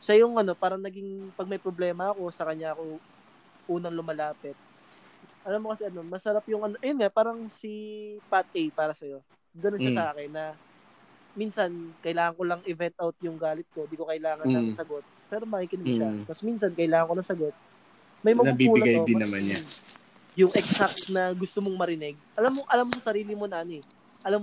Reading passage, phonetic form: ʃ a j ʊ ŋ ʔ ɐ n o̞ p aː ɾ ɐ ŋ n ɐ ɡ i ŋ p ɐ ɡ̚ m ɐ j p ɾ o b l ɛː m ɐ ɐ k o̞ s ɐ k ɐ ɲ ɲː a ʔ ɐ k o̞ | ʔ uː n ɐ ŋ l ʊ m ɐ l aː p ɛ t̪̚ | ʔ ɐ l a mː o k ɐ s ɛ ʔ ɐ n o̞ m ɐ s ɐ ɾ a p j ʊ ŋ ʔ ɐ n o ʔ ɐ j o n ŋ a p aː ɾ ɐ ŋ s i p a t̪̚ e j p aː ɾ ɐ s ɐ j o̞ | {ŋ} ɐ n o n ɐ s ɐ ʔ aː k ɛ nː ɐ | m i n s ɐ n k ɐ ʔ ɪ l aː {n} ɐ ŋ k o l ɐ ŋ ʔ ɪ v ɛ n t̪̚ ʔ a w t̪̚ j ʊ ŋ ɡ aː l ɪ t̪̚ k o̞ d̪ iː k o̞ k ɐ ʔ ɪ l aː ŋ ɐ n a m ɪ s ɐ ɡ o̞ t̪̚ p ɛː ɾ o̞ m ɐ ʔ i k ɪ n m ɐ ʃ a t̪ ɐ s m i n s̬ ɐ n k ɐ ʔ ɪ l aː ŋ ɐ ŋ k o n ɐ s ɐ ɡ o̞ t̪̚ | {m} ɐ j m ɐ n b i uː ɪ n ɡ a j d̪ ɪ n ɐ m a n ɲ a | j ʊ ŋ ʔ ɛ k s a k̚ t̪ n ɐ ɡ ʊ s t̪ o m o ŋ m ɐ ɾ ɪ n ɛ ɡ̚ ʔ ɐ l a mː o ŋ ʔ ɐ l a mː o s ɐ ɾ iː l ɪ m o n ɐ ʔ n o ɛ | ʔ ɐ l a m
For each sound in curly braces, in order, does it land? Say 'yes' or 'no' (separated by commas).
no, no, yes